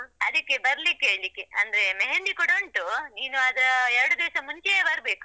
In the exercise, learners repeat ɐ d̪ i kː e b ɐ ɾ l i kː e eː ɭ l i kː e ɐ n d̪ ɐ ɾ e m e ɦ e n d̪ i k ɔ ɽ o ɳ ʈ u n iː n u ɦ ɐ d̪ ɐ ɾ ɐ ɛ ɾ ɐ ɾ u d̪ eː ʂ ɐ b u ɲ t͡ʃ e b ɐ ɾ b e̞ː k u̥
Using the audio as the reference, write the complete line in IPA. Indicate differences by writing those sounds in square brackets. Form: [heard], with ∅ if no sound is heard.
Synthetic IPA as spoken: ɐ d̪ i kː e b ɐ ɾ l i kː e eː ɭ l i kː e ɐ n d̪ ɐ ɾ e m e ɦ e n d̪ i k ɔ ɽ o ɳ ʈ u n iː n u [∅] ɐ d̪ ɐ ɾ ɐ ɛ ɾ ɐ [ɽ] u d̪ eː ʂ ɐ [m] u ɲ t͡ʃ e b ɐ ɾ b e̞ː k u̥